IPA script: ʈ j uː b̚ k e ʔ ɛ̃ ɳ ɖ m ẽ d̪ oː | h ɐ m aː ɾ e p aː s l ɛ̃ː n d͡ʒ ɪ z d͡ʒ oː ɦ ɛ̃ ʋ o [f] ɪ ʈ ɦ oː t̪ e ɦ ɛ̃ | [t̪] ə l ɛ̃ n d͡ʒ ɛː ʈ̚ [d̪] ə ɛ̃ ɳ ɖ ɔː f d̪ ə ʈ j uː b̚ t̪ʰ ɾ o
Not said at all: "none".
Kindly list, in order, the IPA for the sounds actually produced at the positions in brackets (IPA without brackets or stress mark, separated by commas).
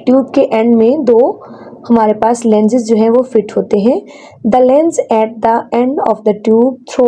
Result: f, d̪, d̪